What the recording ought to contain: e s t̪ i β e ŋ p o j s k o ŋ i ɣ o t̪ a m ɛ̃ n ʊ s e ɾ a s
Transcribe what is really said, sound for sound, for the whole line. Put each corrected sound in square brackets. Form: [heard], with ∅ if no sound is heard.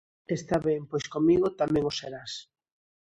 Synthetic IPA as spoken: e s t̪ [a] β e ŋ p o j s k o [m] i ɣ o t̪ a m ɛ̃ [ŋ] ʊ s e ɾ a s